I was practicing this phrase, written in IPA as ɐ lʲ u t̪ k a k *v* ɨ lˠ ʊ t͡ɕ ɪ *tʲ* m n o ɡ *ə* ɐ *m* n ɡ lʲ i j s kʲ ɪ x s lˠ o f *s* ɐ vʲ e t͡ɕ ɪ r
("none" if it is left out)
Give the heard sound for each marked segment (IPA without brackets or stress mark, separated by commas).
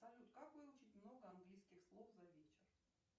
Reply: v, tʲ, ə, none, z